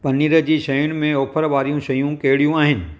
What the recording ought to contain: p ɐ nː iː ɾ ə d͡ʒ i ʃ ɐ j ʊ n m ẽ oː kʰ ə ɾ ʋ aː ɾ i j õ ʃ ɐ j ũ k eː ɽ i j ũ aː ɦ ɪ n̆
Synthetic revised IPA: p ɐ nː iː ɾ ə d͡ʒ i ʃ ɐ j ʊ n m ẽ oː pʰ ə ɾ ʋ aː ɾ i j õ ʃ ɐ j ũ k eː ɽ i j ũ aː ɦ ɪ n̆